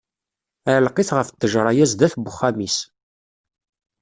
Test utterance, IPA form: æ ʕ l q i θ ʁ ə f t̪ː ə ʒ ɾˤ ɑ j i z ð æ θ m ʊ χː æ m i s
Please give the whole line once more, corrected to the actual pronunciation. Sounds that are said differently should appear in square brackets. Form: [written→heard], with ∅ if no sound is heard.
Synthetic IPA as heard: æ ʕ l q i θ ʁ ə f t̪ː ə ʒ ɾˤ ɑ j [i→æ] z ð æ θ [m→b] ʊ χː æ m i s